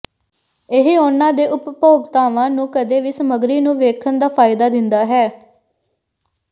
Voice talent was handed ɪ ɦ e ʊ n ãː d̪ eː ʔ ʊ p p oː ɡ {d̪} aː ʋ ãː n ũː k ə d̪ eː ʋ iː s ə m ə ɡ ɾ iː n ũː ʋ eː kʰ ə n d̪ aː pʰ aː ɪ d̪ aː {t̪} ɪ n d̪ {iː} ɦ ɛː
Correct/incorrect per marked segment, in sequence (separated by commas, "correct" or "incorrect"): incorrect, incorrect, incorrect